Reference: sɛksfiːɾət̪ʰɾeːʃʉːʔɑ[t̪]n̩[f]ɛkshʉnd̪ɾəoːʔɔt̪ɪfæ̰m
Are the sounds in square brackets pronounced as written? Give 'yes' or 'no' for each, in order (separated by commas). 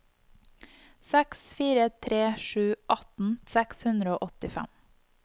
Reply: yes, no